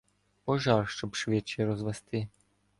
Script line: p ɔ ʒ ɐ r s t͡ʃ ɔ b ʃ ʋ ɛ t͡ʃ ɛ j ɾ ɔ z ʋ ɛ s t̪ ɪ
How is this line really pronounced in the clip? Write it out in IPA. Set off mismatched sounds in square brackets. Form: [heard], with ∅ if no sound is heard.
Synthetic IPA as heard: p ɔ ʒ [ɑ] r [ʃ] t͡ʃ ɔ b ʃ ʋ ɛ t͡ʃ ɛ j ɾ ɔ z ʋ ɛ s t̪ ɪ